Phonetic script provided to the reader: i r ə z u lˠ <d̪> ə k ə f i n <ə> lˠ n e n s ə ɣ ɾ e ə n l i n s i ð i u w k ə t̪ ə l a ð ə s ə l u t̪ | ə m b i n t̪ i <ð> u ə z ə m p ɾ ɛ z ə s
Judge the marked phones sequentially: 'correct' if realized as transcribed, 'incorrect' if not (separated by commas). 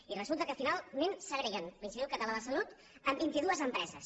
incorrect, incorrect, correct